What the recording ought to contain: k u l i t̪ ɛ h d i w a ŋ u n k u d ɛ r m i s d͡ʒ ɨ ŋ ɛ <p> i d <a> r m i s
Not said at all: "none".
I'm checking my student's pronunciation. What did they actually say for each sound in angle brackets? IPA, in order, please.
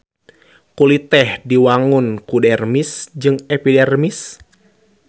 p, ɛ

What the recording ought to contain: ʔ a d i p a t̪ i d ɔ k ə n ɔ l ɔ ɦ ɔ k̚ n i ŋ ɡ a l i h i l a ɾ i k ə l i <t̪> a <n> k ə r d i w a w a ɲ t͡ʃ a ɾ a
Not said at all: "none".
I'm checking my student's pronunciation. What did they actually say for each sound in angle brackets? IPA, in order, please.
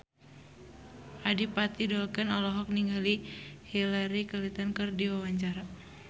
t̪, n

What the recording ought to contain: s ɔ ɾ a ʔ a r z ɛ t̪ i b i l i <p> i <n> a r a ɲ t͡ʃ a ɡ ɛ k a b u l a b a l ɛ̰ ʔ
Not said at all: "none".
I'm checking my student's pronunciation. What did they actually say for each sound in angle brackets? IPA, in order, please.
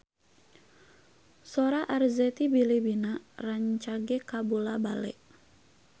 b, n

